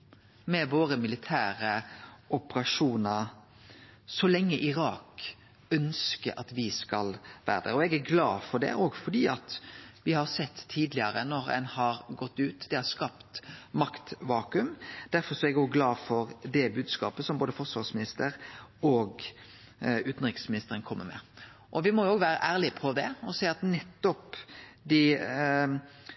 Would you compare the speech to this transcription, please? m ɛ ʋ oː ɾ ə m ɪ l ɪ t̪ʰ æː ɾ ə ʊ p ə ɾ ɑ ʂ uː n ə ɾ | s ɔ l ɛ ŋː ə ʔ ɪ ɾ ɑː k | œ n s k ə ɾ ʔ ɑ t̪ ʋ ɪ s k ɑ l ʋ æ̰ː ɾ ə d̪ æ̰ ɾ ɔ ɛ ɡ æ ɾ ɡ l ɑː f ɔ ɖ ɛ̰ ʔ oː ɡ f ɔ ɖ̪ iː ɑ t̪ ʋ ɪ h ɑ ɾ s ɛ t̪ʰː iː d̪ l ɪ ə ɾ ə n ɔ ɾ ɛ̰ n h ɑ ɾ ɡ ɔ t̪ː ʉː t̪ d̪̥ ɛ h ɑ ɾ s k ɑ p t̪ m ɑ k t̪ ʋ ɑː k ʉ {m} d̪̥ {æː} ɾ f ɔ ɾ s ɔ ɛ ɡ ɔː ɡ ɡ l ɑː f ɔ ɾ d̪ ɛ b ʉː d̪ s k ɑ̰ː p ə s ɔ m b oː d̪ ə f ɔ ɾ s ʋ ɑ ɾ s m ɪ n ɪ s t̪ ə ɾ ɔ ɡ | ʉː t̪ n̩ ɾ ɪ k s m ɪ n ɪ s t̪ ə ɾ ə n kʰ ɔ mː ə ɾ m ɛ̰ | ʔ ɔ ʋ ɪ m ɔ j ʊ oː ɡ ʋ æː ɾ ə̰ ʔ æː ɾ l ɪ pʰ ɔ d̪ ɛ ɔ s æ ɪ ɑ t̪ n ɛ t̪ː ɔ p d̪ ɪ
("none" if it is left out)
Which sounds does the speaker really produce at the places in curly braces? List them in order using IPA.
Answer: m, æ

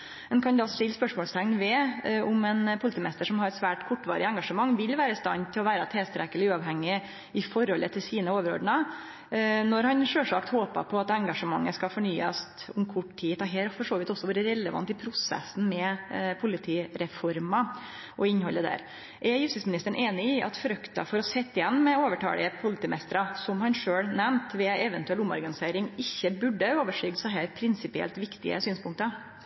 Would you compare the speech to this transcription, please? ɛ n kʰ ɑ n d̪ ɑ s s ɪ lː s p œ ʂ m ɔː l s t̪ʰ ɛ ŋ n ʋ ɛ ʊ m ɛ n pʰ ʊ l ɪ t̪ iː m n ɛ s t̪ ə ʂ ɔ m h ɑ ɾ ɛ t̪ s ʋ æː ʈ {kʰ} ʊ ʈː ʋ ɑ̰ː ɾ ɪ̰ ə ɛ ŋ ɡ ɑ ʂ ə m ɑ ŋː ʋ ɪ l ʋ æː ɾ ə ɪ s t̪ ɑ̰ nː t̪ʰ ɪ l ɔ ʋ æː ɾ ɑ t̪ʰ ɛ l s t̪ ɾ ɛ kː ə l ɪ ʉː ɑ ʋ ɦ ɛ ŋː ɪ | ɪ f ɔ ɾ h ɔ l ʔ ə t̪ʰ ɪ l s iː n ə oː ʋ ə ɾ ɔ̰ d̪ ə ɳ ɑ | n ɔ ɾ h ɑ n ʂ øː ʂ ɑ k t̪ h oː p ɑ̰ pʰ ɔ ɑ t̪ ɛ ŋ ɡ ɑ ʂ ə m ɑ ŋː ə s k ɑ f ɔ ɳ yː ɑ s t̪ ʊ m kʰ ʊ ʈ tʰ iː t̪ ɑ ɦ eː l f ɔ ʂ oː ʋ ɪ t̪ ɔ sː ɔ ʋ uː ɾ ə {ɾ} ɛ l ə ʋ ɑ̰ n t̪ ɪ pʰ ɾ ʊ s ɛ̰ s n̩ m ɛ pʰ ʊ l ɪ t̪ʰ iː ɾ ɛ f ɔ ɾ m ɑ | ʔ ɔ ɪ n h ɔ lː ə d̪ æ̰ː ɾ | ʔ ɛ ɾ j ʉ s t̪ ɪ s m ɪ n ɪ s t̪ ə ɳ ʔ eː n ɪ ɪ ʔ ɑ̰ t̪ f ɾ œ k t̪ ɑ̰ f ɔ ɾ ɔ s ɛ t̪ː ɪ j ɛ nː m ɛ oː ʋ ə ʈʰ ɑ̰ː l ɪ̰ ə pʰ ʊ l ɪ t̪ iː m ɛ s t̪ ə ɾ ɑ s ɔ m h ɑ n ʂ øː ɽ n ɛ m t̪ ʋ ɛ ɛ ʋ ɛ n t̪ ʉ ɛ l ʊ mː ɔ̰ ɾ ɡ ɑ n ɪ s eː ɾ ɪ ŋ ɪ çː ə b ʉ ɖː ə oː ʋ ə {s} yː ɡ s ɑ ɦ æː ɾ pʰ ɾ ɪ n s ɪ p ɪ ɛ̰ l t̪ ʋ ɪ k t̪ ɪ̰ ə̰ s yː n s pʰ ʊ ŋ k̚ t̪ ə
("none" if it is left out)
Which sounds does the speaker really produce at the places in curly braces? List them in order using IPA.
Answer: kʰ, ɾ, ʂ

